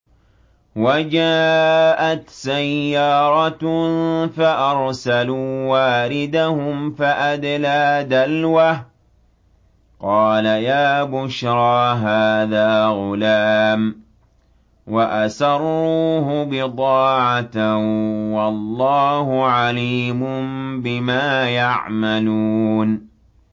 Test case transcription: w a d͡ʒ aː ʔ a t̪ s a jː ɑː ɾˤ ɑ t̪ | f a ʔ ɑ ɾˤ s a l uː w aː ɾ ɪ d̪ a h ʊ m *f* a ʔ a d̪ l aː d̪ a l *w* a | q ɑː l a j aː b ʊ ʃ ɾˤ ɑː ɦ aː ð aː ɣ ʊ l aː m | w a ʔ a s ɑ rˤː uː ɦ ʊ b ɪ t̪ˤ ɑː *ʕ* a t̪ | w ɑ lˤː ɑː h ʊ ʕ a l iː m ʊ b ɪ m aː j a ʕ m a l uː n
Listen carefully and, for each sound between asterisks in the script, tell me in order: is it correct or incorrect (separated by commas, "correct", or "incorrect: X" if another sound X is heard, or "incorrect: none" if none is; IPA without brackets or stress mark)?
correct, correct, correct